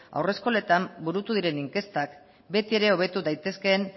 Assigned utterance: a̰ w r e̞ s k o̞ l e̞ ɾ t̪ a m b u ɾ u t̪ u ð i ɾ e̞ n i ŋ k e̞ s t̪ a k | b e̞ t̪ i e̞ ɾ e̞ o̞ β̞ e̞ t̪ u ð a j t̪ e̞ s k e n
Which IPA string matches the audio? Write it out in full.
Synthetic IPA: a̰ w r e̞ s k o̞ l e̞ t̪ a m b u ɾ u t̪ u ð i ɾ e̞ n i ŋ k e̞ s t̪ a k | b e̞ t̪ i e̞ ɾ e̞ o̞ β̞ e̞ t̪ u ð a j t̪ e̞ s k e n